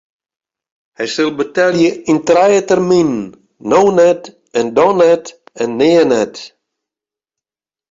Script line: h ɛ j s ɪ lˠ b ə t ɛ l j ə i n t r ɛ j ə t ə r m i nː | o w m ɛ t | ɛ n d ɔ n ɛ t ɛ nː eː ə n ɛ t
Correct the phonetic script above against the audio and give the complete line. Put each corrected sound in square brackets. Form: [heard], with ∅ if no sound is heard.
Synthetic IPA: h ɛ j s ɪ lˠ b ə t ɛ l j ə i n t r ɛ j ə t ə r m i nː | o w [n] ɛ t | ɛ n d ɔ n ɛ t ɛ nː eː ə n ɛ t